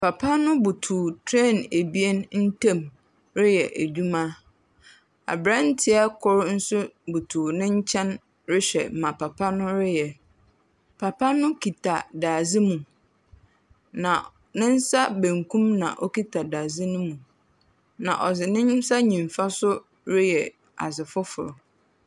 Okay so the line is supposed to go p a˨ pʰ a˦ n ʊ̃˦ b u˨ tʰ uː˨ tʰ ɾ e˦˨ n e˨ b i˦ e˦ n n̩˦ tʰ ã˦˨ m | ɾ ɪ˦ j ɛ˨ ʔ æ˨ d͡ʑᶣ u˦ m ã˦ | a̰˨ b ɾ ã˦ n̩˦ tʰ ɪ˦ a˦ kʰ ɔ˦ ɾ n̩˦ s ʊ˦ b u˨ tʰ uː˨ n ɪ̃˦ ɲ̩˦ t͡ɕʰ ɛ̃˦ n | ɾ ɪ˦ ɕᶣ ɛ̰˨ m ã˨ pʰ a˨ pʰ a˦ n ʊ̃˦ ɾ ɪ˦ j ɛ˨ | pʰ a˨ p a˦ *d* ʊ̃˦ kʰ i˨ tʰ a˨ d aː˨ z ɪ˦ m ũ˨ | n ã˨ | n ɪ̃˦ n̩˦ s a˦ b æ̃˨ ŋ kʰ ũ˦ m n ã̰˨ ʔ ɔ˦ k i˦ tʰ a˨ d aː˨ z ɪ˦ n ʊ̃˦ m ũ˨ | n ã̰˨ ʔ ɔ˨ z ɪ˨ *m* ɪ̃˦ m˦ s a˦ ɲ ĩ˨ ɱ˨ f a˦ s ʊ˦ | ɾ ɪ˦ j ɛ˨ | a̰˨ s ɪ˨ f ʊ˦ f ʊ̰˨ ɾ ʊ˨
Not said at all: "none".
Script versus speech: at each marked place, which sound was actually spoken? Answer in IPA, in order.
n, n

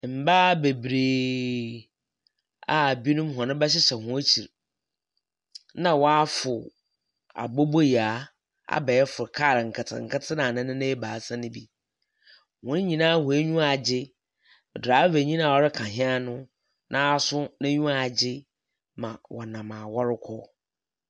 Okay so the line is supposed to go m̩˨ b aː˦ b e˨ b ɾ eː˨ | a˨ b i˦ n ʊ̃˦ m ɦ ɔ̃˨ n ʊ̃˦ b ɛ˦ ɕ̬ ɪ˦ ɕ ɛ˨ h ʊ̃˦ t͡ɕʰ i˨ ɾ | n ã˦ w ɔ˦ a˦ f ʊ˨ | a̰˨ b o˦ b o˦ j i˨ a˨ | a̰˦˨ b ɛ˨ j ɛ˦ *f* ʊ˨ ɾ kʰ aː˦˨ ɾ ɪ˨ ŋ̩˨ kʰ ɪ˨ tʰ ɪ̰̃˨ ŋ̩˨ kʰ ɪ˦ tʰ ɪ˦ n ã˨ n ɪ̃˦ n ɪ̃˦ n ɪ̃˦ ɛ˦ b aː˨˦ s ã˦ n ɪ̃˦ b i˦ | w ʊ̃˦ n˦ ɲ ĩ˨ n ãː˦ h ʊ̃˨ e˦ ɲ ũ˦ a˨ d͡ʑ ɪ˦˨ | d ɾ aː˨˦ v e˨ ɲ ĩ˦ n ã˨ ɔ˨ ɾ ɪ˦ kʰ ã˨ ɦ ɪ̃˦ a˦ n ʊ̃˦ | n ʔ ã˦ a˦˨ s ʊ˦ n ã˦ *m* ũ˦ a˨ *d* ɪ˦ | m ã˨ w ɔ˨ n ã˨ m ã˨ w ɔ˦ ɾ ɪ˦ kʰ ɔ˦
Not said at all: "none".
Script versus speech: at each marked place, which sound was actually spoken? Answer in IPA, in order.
f, ɲ, d͡ʑ

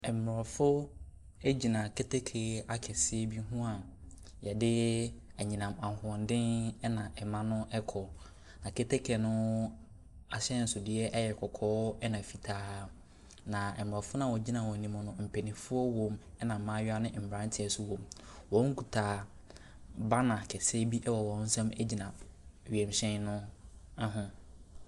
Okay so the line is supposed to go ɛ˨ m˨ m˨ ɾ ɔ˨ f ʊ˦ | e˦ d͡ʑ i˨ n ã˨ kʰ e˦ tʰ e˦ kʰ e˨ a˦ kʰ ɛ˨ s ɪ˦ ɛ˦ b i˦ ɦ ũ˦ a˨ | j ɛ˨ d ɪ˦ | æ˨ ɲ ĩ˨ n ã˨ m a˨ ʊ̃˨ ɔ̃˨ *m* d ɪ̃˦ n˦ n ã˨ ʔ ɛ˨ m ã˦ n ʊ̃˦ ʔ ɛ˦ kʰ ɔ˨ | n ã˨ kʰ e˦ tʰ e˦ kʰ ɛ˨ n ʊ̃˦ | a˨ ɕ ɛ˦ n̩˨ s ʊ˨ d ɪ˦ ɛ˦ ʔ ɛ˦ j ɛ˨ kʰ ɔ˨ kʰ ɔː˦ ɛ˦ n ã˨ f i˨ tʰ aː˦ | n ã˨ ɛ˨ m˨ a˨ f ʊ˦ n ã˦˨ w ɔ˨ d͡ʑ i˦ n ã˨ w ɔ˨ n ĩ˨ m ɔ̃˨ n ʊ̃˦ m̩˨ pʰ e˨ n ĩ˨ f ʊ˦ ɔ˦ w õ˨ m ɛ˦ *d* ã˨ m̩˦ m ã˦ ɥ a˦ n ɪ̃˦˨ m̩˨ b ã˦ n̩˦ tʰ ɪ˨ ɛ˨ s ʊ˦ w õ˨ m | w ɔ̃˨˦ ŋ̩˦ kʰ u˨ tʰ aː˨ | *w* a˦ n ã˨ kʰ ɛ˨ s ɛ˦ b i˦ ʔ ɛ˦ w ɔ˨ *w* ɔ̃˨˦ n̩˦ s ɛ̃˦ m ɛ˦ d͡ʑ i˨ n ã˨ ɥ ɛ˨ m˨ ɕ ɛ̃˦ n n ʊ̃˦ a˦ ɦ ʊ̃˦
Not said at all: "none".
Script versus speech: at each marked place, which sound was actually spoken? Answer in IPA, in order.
n, n, b, w

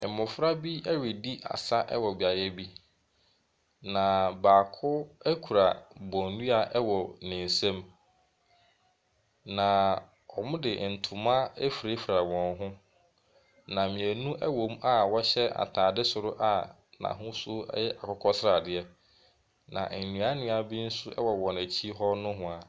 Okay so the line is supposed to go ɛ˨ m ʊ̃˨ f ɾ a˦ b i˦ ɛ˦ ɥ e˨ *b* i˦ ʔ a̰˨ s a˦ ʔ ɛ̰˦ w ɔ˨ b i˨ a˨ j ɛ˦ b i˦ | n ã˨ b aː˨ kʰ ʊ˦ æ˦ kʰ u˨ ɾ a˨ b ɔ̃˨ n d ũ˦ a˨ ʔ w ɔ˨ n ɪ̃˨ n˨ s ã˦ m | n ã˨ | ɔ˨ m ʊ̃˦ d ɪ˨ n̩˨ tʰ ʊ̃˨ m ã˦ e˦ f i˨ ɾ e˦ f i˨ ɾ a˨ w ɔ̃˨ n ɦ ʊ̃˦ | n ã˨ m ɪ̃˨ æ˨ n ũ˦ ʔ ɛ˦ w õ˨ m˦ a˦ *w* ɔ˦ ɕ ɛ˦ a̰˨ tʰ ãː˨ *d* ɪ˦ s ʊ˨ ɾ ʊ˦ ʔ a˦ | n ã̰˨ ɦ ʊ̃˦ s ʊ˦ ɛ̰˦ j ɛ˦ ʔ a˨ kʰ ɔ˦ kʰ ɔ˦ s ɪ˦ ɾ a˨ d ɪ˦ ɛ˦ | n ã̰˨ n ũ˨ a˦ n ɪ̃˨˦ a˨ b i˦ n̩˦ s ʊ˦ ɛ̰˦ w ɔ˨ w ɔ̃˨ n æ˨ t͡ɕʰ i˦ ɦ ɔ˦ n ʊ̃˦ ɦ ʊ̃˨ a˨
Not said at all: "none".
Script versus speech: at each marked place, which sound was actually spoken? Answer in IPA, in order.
d, w, d

